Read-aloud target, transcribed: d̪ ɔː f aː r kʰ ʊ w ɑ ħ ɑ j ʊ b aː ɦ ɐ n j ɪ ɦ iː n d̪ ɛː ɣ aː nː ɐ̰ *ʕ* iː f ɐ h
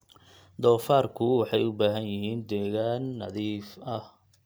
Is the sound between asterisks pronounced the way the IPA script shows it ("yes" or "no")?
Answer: no